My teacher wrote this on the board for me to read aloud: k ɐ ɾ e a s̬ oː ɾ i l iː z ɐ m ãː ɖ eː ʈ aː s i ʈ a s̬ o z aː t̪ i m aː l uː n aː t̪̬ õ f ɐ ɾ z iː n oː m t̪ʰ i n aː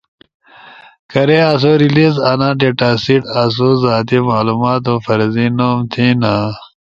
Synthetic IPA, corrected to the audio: k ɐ ɾ e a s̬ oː ɾ i l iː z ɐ n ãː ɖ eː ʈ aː s i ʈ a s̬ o z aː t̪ i m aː l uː m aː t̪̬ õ f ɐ ɾ z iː n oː m t̪ʰ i n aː